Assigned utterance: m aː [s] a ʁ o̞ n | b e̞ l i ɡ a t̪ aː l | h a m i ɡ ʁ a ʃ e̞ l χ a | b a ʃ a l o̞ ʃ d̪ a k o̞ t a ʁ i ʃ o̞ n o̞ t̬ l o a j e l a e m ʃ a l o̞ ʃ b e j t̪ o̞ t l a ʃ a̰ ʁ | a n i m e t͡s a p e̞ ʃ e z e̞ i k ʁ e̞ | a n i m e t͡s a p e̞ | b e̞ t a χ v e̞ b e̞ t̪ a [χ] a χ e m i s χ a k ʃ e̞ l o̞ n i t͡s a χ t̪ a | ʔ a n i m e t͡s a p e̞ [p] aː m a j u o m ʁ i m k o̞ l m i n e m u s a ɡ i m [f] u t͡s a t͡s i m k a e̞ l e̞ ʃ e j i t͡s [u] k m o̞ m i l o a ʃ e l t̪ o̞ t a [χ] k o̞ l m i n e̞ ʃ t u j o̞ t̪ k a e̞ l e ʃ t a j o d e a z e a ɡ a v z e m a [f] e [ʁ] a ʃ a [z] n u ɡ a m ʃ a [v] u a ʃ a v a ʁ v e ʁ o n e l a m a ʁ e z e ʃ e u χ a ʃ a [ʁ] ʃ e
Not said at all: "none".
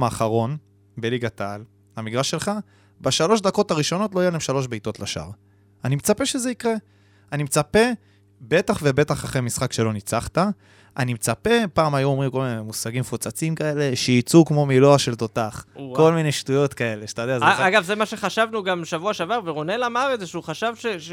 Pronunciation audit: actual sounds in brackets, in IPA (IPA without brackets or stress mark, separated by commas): χ, χ, p, f, u, χ, ʃ, χ, v, v, v